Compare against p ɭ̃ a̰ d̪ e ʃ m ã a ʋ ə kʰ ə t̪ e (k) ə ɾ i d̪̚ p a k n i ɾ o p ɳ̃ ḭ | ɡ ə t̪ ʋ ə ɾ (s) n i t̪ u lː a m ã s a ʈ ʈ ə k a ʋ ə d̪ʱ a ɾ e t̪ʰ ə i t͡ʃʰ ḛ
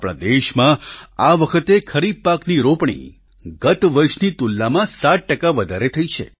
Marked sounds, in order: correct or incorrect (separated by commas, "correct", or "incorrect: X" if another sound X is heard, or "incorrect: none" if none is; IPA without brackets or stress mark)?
incorrect: kʰ, incorrect: ʃ